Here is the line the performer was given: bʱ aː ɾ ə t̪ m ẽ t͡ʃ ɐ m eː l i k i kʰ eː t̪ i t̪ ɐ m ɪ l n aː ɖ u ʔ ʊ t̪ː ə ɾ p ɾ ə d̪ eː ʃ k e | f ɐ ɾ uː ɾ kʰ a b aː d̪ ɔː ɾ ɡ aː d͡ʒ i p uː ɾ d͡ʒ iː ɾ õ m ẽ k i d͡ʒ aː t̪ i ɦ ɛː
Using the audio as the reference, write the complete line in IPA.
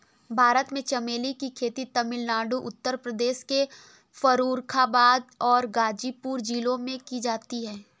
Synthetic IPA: bʱ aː ɾ ə t̪ m ẽ t͡ʃ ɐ m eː l i k i kʰ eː t̪ i t̪ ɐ m ɪ l n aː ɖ u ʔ ʊ t̪ː ə ɾ p ɾ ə d̪ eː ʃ k e | f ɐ ɾ uː ɾ kʰ a b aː d̪ ɔː ɾ ɡ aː d͡ʒ i p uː ɾ d͡ʒ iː l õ m ẽ k i d͡ʒ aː t̪ i ɦ ɛː